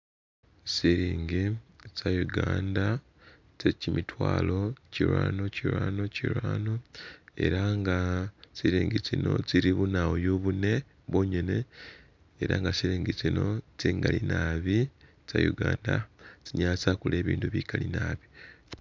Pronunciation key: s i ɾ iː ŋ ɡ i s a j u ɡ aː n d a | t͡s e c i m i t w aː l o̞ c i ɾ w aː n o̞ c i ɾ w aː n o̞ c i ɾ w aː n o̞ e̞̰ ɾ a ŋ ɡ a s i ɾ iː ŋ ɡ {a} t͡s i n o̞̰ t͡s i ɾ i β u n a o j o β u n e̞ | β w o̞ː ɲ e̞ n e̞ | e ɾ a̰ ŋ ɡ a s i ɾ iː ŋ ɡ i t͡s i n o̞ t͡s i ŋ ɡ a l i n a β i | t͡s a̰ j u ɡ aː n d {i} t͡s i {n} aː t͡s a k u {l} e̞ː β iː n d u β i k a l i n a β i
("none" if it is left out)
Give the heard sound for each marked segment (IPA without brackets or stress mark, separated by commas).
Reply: i, a, ɲ, l